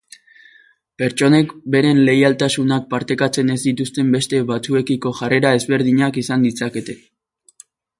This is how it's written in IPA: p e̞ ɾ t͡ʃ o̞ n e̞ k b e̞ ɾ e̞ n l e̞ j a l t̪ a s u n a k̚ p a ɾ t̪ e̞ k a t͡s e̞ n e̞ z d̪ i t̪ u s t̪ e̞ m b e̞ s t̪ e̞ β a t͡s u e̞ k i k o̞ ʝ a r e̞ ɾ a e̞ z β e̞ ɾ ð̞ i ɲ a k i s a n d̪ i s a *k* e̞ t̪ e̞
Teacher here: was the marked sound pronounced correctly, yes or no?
yes